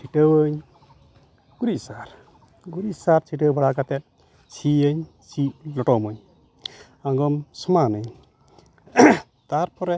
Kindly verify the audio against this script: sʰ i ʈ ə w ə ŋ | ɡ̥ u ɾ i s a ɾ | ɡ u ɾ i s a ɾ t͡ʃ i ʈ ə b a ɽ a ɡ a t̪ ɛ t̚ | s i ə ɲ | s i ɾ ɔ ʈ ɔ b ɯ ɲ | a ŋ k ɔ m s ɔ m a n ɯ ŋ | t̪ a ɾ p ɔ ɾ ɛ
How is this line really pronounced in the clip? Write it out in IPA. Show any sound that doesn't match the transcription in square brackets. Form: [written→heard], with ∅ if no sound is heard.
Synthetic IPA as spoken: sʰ i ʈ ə w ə [ŋ→ɲ] | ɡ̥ u ɾ i s a ɾ | ɡ u ɾ i s a ɾ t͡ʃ i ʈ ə b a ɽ a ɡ a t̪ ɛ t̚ | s i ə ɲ | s i [ɾ→l] ɔ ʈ ɔ [b→m] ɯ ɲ | a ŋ [k→ɡ] ɔ m s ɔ m a n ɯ [ŋ→ɲ] | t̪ a ɾ p ɔ ɾ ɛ